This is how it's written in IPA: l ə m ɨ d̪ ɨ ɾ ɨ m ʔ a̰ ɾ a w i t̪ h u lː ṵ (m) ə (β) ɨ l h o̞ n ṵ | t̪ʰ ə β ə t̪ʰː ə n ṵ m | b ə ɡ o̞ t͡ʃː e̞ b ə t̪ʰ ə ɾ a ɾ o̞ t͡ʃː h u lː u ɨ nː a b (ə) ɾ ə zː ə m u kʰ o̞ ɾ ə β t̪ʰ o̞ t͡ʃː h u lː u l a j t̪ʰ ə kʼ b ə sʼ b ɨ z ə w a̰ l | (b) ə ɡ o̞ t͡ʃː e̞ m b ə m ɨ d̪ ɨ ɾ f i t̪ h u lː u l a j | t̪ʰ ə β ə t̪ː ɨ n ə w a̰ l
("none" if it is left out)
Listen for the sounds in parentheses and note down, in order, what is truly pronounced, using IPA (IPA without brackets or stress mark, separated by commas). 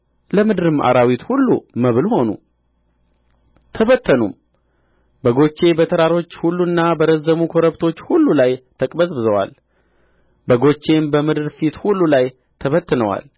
m, β, ə, b